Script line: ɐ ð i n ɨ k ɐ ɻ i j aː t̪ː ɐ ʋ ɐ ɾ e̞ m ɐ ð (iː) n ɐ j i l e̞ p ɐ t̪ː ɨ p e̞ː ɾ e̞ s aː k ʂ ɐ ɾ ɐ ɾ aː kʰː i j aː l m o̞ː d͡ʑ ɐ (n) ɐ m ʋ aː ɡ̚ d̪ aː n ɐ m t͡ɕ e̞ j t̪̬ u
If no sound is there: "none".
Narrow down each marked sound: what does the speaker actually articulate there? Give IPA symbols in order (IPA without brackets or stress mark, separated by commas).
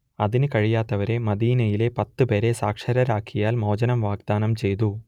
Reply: iː, n